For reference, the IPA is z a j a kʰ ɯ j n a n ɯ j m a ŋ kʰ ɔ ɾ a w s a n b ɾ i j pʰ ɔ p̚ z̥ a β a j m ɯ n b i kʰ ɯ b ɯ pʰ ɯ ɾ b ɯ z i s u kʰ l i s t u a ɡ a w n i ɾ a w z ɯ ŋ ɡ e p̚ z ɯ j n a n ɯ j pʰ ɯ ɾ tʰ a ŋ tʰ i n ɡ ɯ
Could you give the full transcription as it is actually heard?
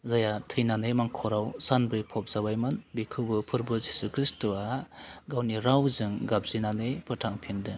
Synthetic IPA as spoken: z a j a tʰ ɯ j n a n ɯ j m a ŋ kʰ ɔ ɾ a w s a n b ɾ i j pʰ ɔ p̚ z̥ a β a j m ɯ n b i kʰ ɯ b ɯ pʰ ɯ ɾ b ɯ z i s u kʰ ɾ i s t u a ɡ a w n i ɾ a w z ɯ ŋ ɡ a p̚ z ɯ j n a n ɯ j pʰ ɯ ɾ tʰ a ŋ pʰ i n d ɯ

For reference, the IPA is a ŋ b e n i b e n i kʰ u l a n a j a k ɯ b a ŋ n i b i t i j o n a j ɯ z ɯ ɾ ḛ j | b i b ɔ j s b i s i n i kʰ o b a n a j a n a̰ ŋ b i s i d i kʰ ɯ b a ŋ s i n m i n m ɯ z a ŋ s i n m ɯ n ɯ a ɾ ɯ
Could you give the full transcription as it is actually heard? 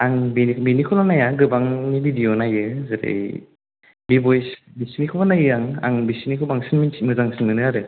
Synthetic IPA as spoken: a ŋ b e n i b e n i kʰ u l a n a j a ɡ ɯ b a ŋ n i b i d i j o n a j ɯ z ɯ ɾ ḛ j | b i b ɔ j s b i s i n i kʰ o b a n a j a ŋ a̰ ŋ b i s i n i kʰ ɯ b a ŋ s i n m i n m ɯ z a ŋ s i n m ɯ n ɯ a ɾ ɯ

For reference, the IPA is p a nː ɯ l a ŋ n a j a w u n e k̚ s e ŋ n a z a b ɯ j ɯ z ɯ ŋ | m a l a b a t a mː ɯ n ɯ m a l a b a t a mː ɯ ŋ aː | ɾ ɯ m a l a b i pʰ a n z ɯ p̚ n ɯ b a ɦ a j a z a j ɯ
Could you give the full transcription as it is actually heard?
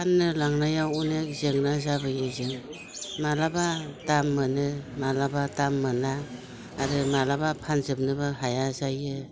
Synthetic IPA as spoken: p a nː ɯ l a ŋ n a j a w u n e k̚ z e ŋ n a z a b ɯ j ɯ z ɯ ŋ | m a l a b a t a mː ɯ n ɯ m a l a b a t a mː ɯ n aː | ɾ ɯ m a l a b a pʰ a n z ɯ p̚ n ɯ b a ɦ a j a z a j ɯ

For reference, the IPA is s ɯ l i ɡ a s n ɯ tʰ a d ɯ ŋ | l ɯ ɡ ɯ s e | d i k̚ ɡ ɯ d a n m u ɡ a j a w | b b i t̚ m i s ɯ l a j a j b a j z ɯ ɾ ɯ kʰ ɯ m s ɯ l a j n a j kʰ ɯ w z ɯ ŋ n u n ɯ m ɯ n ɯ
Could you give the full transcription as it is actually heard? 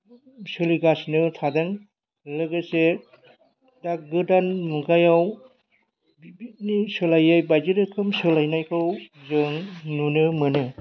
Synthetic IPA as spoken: s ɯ l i ɡ a s n ɯ tʰ a d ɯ ŋ | l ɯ ɡ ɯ s e | d a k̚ ɡ ɯ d a n m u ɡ a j a w | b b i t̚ n i s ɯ l a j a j b a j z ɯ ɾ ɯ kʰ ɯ m s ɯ l a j n a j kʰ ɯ w z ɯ ŋ n u n ɯ m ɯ n ɯ

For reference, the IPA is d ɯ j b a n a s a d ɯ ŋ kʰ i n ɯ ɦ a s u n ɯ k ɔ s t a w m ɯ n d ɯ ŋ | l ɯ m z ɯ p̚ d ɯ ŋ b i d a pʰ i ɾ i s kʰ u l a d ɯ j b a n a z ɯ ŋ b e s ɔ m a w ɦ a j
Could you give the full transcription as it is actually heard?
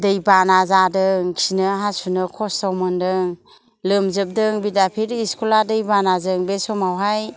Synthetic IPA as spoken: d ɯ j b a n a z a d ɯ ŋ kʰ i n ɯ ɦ a s u n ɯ kʰ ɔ s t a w m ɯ n d ɯ ŋ | l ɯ m z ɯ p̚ d ɯ ŋ b i d a pʰ i ɾ i s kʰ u l a d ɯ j b a n a z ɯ ŋ b e s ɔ m a w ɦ a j

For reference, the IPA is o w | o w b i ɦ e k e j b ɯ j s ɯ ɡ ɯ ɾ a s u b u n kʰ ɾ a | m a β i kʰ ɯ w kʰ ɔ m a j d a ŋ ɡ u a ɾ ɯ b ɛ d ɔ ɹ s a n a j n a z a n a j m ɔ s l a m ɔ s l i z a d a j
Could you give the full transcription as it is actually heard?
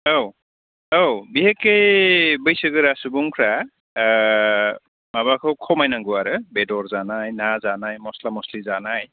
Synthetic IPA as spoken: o w | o w b i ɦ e k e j b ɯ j s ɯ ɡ ɯ ɾ a s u b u ŋ kʰ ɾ a | m a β a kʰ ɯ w kʰ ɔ m a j n a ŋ ɡ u a ɾ ɯ b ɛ d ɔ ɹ z a n a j n a z a n a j m ɔ s l a m ɔ s l i z a n a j

